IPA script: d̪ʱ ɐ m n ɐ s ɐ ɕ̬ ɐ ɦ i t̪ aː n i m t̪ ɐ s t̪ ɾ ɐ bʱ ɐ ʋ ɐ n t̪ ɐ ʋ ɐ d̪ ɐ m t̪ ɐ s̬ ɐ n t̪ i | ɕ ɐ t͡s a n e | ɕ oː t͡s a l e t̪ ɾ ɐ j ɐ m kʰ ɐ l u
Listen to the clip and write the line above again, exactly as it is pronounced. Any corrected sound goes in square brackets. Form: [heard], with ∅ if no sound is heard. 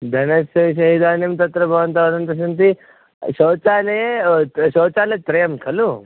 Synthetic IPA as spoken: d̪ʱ ɐ [∅] n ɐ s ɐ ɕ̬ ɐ ɦ i [d̪] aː n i m t̪ ɐ [∅] t̪ ɾ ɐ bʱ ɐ ʋ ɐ n t̪ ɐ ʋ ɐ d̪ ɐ [n] t̪ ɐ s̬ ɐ n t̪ i | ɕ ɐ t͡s a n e | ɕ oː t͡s a l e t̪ ɾ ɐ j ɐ m kʰ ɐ l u